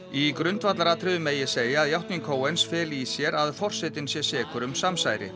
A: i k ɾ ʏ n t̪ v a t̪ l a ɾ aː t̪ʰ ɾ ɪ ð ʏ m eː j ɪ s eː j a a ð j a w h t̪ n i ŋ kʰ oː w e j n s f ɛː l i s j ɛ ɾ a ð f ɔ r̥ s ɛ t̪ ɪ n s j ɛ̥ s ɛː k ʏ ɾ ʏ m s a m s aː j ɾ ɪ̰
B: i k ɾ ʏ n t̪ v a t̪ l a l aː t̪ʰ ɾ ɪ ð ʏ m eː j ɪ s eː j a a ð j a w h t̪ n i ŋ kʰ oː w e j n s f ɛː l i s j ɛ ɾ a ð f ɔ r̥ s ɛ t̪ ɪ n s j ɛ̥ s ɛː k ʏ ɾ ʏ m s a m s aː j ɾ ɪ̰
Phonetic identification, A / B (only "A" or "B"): A